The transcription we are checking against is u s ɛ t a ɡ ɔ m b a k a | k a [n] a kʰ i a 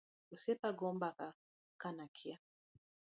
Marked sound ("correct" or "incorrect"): correct